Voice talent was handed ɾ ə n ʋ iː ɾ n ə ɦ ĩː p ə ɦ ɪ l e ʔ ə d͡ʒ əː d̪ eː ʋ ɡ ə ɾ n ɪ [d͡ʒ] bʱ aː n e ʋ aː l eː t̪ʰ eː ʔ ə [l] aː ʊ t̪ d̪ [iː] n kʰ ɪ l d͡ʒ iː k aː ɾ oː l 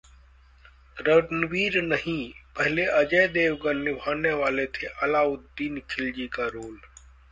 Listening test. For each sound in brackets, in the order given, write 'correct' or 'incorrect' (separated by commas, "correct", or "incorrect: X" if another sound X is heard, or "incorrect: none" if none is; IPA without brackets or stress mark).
incorrect: none, correct, correct